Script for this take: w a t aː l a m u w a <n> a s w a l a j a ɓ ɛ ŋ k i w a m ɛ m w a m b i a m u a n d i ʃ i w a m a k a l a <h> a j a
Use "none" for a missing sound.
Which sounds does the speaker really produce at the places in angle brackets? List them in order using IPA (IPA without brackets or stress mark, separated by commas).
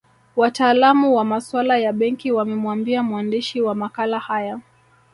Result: m, h